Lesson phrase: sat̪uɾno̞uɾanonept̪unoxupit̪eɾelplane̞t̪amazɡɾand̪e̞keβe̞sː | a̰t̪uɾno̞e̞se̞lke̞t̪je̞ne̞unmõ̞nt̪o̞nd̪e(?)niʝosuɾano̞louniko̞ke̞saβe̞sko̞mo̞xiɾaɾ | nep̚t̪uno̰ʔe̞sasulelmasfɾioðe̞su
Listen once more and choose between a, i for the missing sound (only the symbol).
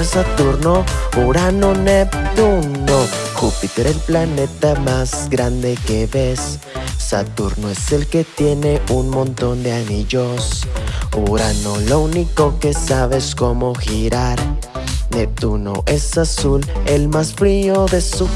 a